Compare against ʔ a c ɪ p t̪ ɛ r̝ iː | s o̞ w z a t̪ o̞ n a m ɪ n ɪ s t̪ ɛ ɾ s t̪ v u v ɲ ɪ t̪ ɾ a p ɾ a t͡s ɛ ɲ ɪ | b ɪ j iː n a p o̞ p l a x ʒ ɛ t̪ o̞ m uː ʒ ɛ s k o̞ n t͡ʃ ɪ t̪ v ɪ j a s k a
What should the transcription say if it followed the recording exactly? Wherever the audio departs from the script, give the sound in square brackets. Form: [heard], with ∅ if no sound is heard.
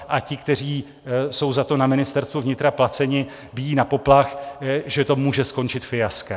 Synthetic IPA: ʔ a c ɪ [k] t̪ ɛ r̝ iː | s o̞ w z a t̪ o̞ n a m ɪ n ɪ s t̪ ɛ ɾ s t̪ v u v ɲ ɪ t̪ ɾ a p [l] a t͡s ɛ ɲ ɪ | b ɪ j iː n a p o̞ p l a x ʒ ɛ t̪ o̞ m uː ʒ ɛ s k o̞ n t͡ʃ ɪ t̪ [f] ɪ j a s k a